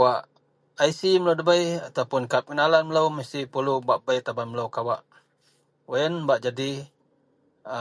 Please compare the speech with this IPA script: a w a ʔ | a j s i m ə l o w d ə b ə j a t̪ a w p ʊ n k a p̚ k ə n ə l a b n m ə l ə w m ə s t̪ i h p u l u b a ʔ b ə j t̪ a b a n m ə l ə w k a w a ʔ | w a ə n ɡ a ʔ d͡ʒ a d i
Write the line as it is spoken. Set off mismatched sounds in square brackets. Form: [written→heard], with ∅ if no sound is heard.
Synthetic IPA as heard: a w a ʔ | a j s i m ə l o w d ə b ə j a t̪ a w p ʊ n k a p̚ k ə n [ə→a] l a [b→∅] n m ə l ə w m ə s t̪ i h p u l u b a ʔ b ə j t̪ a b a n m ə l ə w k a w a ʔ | w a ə n [ɡ→b] a ʔ d͡ʒ a d i